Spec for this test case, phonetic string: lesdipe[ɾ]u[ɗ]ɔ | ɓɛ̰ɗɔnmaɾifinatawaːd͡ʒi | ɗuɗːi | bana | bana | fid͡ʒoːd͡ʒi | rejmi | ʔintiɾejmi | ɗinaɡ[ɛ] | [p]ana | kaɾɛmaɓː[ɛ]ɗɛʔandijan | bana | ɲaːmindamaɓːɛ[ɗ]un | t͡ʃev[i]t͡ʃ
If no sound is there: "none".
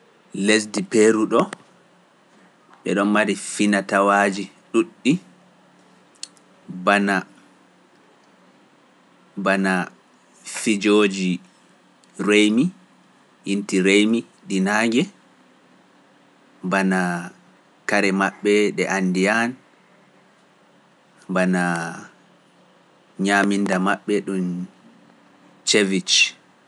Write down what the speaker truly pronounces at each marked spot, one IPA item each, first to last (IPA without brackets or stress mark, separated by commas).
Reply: ɾ, ɗ, ɛ, b, ɛ, ɗ, i